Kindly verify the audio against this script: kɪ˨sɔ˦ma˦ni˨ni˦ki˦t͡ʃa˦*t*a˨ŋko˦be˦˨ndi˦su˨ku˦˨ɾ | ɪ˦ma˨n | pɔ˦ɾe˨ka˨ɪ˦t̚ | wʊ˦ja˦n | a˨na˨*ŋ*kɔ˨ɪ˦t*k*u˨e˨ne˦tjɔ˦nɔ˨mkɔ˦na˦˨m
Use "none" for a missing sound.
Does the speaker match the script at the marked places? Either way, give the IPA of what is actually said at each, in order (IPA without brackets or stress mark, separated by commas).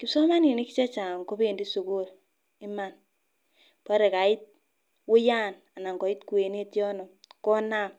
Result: t͡ʃ, ŋ, k